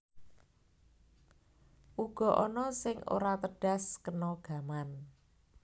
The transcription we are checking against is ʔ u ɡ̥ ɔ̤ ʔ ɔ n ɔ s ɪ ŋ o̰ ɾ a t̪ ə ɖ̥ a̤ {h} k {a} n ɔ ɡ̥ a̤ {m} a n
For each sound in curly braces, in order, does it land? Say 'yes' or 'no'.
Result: no, no, yes

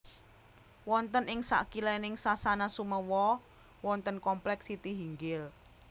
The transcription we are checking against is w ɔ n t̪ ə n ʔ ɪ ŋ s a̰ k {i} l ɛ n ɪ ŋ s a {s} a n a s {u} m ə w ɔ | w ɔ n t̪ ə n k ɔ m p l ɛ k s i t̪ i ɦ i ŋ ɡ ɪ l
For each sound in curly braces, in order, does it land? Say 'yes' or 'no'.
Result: yes, yes, yes

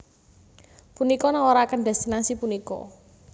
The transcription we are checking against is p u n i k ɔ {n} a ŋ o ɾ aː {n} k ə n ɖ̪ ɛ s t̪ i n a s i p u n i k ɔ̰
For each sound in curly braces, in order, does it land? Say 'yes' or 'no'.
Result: yes, no

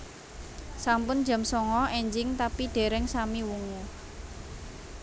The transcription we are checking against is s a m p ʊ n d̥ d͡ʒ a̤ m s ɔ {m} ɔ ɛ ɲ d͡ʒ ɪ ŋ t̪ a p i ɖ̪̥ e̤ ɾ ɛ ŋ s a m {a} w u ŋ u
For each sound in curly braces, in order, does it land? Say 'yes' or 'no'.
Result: no, no

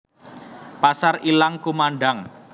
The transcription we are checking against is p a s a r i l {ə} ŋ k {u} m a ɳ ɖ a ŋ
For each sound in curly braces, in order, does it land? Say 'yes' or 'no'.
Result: no, yes

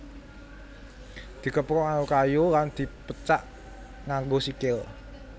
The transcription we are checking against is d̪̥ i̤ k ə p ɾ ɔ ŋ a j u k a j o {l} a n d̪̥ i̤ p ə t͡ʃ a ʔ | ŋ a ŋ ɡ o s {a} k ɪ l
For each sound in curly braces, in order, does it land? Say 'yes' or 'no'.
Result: yes, no

